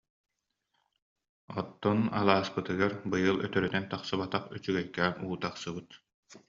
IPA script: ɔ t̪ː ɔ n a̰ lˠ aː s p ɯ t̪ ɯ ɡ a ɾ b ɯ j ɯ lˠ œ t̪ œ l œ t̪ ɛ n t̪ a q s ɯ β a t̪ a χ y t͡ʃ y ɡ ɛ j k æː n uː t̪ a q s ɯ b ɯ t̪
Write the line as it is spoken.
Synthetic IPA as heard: ɔ t̪ː ɔ n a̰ lˠ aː s p ɯ t̪ ɯ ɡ a ɾ b ɯ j ɯ lˠ œ t̪ œ ɾ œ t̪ ɛ n t̪ a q s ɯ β a t̪ a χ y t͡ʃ y ɡ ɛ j k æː n uː t̪ a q s ɯ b ɯ t̪